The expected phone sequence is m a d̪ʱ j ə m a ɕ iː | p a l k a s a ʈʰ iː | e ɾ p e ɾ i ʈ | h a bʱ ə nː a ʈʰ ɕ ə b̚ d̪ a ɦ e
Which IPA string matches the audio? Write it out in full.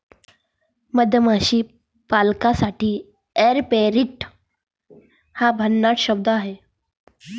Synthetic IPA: m ə d̪ʱ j ə m a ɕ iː | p a l k a s a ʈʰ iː | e ɾ p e ɾ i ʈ | h a bʱ ə nː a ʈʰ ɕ ə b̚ d̪ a ɦ e